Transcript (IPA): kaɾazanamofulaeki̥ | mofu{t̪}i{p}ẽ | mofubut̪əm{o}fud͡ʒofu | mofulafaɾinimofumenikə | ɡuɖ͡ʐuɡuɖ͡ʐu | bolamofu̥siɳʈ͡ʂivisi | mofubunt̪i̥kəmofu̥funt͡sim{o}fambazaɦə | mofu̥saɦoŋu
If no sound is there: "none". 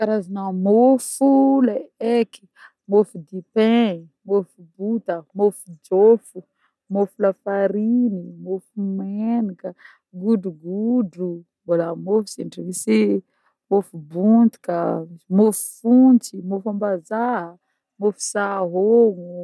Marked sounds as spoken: d̪, p, o, o

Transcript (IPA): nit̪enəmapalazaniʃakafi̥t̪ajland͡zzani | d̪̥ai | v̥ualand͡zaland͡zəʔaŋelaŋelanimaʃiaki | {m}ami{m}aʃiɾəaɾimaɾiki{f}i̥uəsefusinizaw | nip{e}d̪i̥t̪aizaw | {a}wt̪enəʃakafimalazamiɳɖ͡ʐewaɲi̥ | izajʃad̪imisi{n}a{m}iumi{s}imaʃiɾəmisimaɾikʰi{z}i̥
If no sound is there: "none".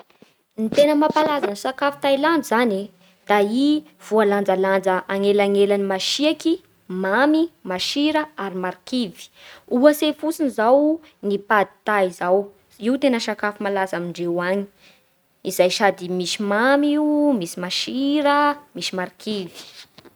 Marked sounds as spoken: m, m, v, a, i, m, m, s, v

